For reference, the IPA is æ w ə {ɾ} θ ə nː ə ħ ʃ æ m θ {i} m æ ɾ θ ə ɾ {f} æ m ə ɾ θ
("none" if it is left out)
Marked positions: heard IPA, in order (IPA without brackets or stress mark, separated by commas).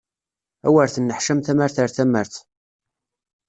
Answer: ɾ, æ, θ